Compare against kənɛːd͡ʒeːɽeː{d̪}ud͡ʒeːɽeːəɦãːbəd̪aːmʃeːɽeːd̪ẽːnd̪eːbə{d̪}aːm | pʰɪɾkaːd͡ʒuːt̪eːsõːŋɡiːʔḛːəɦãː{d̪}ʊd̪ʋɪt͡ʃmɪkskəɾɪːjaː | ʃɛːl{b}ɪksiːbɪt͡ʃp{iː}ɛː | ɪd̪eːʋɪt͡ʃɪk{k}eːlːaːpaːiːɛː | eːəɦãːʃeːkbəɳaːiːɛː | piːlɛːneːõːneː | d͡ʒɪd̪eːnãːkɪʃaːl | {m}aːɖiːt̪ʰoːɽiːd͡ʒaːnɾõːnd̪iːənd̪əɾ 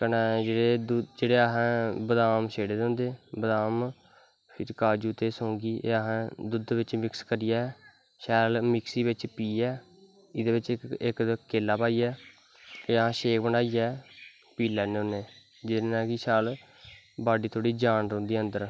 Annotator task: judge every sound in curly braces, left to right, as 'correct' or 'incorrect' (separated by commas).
correct, correct, correct, incorrect, correct, correct, incorrect